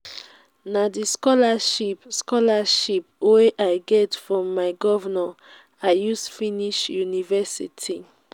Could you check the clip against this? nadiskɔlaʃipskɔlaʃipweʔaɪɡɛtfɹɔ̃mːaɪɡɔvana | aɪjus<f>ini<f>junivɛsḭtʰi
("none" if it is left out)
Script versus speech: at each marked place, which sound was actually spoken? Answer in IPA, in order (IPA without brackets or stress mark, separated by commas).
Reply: f, ʃ